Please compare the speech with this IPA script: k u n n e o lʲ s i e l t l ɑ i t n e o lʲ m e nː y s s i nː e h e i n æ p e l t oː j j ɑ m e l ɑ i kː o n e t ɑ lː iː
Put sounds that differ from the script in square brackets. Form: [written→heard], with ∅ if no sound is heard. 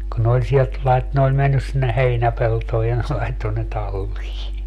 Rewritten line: k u n n e o lʲ s i e l t l ɑ i t n e o lʲ m e nː y s s i nː e h e i n æ p e l t oː j j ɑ [m→n] e l ɑ i [kː→tː] o n e t ɑ lː iː